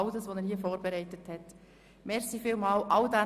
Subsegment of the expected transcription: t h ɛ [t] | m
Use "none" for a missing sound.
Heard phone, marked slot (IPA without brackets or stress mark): t